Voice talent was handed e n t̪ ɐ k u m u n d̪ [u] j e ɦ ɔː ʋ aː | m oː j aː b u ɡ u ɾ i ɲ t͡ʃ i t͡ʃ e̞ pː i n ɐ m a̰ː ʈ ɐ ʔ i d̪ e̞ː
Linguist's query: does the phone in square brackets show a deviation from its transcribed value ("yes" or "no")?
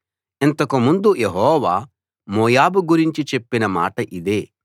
no